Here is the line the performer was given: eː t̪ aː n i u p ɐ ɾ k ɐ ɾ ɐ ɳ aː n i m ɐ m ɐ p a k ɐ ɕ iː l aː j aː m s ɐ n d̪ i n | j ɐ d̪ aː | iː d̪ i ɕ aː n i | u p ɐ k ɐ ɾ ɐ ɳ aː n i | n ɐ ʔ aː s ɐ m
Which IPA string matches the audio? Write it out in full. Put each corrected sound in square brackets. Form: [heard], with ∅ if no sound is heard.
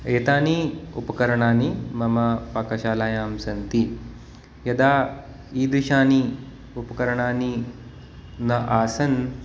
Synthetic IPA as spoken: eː t̪ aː n i u p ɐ [∅] k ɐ ɾ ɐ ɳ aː n i m ɐ m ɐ p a k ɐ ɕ [aː] l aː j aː m s ɐ n [t̪] i [∅] | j ɐ d̪ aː | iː d̪ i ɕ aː n i | u p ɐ k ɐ ɾ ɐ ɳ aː n i | n ɐ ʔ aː s ɐ [n]